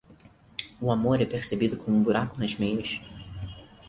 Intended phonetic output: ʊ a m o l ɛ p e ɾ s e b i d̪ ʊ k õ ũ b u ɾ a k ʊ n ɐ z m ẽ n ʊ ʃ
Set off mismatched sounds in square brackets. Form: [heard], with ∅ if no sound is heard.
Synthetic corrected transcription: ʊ a m o [ɾ] ɛ p e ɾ s e b i d̪ ʊ k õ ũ b u ɾ a k ʊ n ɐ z m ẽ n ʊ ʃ

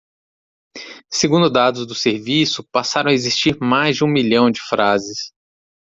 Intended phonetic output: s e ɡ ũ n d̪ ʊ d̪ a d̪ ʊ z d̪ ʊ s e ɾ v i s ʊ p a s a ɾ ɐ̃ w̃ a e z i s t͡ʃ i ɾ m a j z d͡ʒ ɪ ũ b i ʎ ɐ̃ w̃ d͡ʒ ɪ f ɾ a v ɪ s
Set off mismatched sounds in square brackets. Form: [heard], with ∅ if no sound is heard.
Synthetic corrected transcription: s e ɡ ũ n d̪ ʊ d̪ a d̪ ʊ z d̪ ʊ s e ɾ v i s ʊ p a s a ɾ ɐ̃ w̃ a e z i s t͡ʃ i ɾ m a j z d͡ʒ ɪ ũ [m] i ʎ ɐ̃ w̃ d͡ʒ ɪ f ɾ a [z] ɪ s

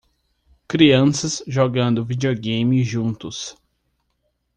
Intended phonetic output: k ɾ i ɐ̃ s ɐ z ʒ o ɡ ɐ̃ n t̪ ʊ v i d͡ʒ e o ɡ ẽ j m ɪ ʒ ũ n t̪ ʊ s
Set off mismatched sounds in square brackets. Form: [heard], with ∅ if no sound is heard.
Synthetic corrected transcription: k ɾ i ɐ̃ s ɐ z ʒ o ɡ ɐ̃ n [d̪] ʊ v i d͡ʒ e o ɡ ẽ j m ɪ ʒ ũ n t̪ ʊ s

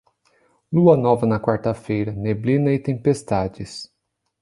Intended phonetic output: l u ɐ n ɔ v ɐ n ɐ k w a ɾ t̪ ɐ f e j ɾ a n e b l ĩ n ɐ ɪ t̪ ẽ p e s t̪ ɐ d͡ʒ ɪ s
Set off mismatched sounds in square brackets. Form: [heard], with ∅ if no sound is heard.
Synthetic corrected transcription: l u ɐ n ɔ v ɐ n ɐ k w a ɾ t̪ ɐ f e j ɾ [ɐ] n e b l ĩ n ɐ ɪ t̪ ẽ p e s t̪ [a] d͡ʒ ɪ s

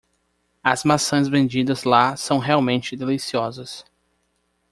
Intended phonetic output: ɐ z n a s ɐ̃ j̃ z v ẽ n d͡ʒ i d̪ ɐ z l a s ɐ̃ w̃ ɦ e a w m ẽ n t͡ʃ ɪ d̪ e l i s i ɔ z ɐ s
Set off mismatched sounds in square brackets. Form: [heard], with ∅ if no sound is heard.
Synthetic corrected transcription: ɐ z [m] a s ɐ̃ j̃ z v ẽ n d͡ʒ i d̪ ɐ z l a s ɐ̃ w̃ ɦ e a w m ẽ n t͡ʃ ɪ d̪ e l i s i ɔ z ɐ s

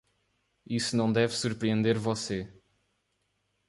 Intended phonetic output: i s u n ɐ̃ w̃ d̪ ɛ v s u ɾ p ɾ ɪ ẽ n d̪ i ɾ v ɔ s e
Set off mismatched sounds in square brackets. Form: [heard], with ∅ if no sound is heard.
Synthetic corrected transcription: i s u n ɐ̃ w̃ d̪ ɛ v s u ɾ p ɾ [i] ẽ n d̪ [e] ɾ v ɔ s e

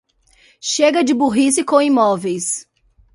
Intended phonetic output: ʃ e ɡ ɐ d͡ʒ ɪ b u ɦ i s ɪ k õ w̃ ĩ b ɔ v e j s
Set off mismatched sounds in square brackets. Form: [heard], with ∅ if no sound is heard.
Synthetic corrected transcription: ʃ e ɡ ɐ d͡ʒ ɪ b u ɦ i s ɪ k õ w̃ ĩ [m] ɔ v e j s

